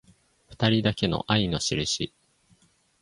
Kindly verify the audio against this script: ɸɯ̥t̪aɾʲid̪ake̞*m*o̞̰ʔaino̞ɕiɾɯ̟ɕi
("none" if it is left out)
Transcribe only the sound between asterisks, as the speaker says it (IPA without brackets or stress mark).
n